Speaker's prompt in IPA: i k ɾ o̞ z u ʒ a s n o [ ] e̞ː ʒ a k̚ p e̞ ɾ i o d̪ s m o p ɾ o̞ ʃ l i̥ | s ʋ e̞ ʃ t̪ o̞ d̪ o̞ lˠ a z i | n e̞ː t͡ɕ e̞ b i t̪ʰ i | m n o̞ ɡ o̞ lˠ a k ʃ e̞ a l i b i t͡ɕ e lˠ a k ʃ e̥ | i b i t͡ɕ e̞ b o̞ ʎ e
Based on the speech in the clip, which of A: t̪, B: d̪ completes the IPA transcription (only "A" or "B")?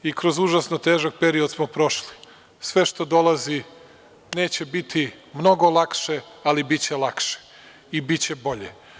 A